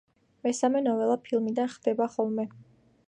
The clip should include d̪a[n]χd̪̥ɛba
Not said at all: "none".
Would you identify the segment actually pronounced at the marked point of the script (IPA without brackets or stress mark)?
n